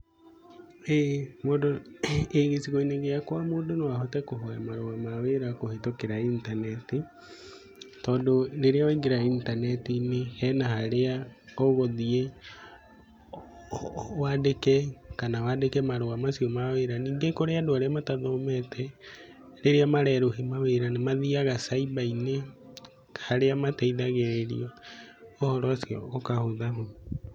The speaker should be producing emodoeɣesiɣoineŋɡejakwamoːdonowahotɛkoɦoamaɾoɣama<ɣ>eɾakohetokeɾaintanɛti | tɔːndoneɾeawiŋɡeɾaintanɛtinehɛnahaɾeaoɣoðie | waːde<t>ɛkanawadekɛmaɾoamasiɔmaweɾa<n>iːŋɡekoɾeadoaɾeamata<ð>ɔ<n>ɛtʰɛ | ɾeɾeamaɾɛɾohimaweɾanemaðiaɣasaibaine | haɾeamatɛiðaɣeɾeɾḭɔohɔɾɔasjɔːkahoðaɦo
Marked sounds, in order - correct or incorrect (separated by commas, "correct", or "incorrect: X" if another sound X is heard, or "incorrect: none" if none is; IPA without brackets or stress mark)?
incorrect: w, incorrect: k, correct, correct, incorrect: m